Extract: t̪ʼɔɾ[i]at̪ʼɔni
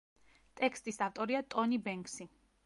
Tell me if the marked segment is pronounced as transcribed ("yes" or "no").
yes